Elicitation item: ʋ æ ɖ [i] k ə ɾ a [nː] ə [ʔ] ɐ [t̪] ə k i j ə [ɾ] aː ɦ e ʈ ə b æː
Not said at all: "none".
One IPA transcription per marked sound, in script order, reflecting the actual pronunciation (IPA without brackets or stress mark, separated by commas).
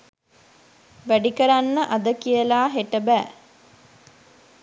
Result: i, nː, ʔ, d̪, l